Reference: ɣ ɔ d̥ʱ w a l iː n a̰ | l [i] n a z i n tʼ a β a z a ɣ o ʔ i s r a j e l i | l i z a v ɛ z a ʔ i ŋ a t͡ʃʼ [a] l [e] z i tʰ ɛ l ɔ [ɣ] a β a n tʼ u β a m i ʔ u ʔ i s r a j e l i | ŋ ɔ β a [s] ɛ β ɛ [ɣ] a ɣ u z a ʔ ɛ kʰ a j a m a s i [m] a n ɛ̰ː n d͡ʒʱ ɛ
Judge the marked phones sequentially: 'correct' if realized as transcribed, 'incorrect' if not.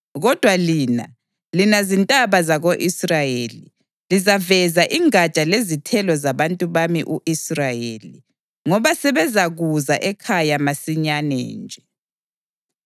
correct, correct, correct, incorrect: z, correct, incorrect: z, incorrect: ɲ

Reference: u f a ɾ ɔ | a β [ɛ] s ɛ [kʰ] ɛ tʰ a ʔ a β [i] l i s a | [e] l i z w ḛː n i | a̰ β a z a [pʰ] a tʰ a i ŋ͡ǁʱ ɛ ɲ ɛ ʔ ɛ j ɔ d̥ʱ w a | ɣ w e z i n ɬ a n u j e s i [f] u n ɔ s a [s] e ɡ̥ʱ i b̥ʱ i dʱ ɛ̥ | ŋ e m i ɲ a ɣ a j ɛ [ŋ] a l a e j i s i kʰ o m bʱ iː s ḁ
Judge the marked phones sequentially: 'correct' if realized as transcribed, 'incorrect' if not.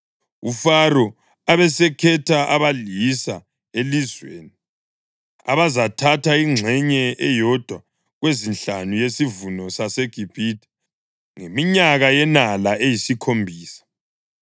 correct, correct, incorrect: a, correct, incorrect: tʰ, incorrect: v, correct, incorrect: n

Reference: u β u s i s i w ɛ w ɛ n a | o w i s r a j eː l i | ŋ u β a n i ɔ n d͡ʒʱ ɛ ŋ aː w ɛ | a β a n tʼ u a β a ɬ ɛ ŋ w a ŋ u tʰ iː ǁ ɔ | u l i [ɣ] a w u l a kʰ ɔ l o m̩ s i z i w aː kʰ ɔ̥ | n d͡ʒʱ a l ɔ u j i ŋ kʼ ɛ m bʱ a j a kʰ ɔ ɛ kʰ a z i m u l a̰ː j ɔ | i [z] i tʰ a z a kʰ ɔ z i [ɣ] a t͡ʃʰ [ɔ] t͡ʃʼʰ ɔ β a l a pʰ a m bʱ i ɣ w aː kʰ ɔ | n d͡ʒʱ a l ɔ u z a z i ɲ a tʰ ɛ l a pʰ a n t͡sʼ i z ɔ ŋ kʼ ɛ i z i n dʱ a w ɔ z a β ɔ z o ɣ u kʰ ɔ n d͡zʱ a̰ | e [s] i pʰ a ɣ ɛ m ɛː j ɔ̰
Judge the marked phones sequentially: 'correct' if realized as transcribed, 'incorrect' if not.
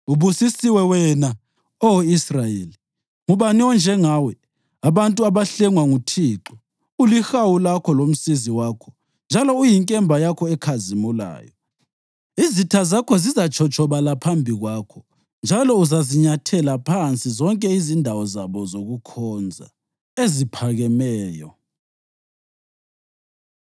incorrect: x, correct, incorrect: z, correct, incorrect: z

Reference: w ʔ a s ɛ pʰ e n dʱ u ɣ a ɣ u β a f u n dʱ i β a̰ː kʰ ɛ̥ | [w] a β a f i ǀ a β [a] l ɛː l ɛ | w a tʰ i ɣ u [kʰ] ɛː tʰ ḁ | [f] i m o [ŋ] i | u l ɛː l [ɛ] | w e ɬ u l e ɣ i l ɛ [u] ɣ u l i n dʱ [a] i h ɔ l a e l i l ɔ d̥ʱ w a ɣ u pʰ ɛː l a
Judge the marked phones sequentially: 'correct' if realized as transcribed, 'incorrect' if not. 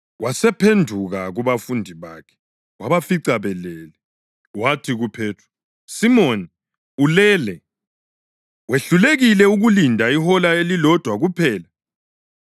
correct, incorrect: ɛ, incorrect: pʰ, incorrect: s, incorrect: n, correct, correct, correct

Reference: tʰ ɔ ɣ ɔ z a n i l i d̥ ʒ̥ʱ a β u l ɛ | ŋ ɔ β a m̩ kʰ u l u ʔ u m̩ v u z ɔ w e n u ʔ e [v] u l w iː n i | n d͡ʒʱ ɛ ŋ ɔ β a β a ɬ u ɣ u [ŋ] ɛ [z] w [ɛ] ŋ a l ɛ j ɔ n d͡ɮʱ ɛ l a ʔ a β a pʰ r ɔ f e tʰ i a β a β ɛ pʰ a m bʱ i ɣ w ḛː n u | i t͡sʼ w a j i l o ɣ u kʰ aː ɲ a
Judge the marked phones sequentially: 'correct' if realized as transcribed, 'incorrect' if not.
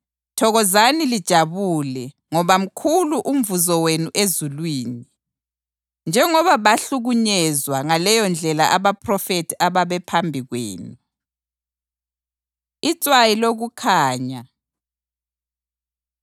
incorrect: z, incorrect: ɲ, correct, incorrect: a

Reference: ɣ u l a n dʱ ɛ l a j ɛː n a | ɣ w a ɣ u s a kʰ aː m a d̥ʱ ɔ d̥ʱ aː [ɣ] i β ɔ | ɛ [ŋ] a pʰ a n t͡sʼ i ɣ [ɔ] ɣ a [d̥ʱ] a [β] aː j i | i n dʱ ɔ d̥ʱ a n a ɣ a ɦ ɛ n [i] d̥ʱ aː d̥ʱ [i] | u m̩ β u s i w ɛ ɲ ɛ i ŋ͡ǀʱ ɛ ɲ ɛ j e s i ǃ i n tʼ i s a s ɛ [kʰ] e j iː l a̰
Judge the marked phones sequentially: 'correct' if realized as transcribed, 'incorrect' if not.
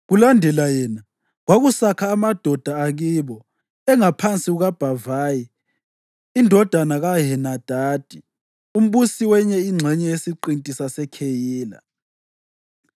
correct, correct, incorrect: u, incorrect: b̥ʱ, incorrect: v, incorrect: a, correct, correct

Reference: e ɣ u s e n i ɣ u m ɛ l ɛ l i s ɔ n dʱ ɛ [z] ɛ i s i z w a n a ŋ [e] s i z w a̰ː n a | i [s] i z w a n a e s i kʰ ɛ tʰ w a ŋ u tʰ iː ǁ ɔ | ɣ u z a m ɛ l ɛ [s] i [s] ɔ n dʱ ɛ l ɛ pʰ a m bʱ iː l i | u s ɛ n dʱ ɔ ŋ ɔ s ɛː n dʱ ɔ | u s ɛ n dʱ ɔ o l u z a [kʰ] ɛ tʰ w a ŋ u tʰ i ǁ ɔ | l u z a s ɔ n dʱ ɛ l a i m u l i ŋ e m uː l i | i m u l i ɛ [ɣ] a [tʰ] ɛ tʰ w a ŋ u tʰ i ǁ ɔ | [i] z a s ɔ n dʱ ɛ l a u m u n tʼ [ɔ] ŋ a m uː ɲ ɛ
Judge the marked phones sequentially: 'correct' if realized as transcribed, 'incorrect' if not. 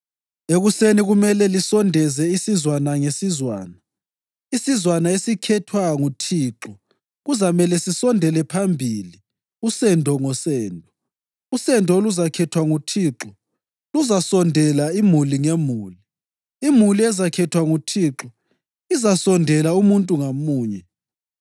correct, correct, correct, correct, correct, correct, incorrect: z, incorrect: kʰ, correct, incorrect: u

